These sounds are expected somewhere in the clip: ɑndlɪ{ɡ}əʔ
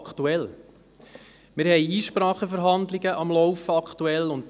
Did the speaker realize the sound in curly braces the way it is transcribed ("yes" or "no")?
yes